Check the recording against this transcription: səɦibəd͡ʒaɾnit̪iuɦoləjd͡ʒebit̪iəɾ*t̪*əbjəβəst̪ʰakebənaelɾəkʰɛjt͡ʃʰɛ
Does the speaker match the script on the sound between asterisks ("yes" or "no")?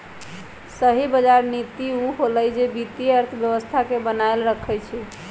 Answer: no